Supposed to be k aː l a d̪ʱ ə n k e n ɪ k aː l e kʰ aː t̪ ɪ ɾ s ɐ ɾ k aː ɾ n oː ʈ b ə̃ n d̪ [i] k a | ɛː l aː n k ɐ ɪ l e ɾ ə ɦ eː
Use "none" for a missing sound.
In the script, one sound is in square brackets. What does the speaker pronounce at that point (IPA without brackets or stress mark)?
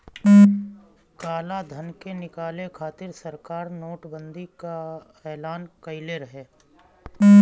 i